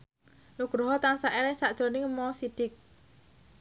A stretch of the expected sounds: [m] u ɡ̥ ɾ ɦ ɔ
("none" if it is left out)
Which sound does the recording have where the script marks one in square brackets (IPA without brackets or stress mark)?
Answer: n